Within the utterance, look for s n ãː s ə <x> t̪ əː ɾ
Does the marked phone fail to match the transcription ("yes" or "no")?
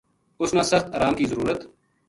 no